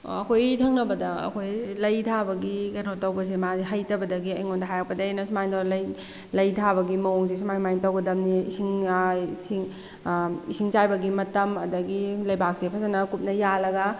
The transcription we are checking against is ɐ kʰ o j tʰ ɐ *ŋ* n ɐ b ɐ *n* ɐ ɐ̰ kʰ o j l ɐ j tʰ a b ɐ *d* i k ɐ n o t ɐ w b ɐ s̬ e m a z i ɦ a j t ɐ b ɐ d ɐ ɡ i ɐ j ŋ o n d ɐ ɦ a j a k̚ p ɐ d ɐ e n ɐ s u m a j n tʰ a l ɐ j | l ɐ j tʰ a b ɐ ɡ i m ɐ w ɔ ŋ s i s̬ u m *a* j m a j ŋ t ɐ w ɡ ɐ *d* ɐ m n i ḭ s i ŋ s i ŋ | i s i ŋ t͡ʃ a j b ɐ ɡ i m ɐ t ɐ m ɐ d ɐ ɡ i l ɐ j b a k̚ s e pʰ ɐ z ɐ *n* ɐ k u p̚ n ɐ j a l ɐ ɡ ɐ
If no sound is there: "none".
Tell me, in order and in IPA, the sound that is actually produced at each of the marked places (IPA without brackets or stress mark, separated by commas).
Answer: ŋ, d, ɡ, a, d, n